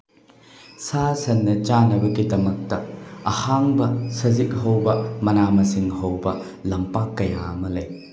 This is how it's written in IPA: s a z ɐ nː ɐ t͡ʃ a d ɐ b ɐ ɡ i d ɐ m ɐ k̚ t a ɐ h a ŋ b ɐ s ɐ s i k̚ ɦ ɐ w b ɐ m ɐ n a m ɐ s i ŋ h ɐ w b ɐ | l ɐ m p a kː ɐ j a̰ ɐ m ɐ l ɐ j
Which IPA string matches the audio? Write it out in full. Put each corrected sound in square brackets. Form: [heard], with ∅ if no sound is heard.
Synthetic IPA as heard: s a [s] ɐ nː ɐ t͡ʃ a [n] ɐ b ɐ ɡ i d ɐ m ɐ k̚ t [ɐ] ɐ h a ŋ b ɐ s ɐ [z] i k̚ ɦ ɐ w b ɐ m ɐ n a m ɐ s i ŋ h ɐ w b ɐ | l ɐ m p a kː ɐ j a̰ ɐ m ɐ l ɐ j